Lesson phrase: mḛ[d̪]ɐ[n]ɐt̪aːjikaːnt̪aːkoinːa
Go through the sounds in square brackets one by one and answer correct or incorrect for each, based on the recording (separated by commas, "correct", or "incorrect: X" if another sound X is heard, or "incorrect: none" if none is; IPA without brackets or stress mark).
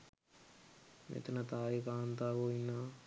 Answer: incorrect: t̪, correct